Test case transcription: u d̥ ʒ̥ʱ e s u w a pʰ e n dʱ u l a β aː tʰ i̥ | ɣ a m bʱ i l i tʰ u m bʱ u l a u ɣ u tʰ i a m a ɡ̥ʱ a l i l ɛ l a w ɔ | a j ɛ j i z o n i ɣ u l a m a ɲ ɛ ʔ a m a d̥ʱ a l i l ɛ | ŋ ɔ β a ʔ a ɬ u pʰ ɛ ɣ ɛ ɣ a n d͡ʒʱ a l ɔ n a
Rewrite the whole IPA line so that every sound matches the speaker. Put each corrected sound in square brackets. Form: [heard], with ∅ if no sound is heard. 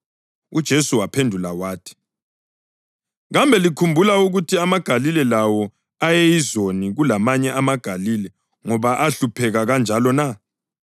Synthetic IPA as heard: u d̥ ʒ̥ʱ e s u w a pʰ e n dʱ u l a [w] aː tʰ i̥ | ɣ a m bʱ [ɛ] l i [kʰ] u m bʱ u l a u ɣ u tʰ i a m a ɡ̥ʱ a l i l ɛ l a w ɔ | a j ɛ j i z o n i ɣ u l a m a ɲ ɛ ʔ a m a [ɡ̥ʱ] a l i l ɛ | ŋ ɔ β a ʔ a ɬ u pʰ ɛ ɣ [a] ɣ a n d͡ʒʱ a l ɔ n a